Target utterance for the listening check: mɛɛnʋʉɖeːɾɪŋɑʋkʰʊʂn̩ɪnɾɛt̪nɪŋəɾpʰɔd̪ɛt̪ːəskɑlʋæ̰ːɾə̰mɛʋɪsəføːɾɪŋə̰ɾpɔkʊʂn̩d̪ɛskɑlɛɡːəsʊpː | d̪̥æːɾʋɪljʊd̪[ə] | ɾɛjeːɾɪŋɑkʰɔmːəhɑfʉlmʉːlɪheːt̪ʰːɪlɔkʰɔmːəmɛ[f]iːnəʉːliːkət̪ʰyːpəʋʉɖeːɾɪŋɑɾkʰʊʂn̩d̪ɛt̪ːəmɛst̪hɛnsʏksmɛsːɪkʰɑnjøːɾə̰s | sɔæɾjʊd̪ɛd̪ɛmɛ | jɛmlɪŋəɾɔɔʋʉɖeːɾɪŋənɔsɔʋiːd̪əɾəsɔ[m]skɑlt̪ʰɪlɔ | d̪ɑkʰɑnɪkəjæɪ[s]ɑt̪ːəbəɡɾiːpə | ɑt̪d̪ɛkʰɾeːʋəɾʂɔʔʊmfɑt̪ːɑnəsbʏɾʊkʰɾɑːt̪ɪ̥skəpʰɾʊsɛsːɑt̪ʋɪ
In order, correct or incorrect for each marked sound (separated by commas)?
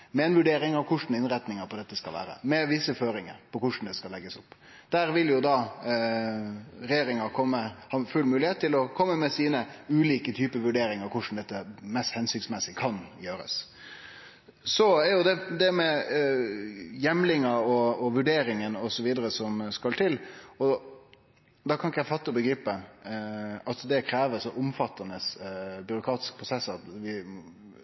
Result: incorrect, incorrect, correct, incorrect